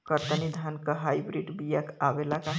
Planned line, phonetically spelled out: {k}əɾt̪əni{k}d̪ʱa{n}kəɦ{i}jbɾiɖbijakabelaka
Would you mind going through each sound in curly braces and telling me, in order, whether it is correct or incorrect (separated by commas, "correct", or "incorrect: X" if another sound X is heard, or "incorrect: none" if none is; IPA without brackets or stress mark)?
correct, incorrect: none, correct, incorrect: a